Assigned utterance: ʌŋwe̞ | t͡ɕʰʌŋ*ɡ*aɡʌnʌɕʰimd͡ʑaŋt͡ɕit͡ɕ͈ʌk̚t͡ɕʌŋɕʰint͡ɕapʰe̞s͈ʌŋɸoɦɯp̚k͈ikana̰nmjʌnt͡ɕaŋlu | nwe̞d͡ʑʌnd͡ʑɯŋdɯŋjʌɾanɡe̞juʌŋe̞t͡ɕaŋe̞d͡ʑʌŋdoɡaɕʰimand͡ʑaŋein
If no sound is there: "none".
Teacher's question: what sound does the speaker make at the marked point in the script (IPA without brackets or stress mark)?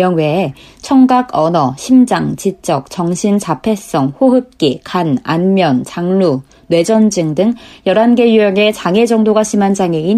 ɡ